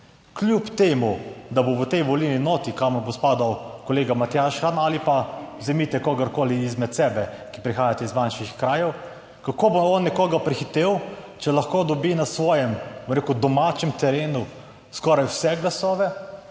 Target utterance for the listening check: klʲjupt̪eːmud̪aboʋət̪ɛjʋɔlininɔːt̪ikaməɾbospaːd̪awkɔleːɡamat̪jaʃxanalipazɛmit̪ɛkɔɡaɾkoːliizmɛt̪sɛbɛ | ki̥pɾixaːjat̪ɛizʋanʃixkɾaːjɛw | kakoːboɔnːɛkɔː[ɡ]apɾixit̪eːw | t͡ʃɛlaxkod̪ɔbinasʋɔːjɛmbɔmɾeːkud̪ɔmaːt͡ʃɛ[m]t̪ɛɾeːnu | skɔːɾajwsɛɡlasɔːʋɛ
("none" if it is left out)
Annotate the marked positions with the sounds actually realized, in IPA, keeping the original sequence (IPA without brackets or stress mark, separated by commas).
ɡ, m